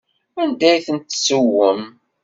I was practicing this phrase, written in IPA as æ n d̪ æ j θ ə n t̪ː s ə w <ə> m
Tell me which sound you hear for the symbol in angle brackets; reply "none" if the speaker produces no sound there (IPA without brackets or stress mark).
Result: ə